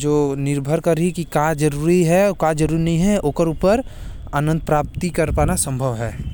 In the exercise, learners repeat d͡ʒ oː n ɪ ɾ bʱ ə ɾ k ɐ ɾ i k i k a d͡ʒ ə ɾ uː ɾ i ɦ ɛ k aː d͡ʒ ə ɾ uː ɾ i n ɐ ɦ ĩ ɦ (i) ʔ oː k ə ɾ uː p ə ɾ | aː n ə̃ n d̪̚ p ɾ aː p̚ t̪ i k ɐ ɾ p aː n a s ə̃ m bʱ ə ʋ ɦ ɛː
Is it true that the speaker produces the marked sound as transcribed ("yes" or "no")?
no